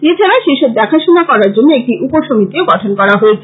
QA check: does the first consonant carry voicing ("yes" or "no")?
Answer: no